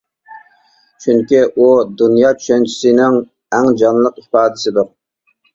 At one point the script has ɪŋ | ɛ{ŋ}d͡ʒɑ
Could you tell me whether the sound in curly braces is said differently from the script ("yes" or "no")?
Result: no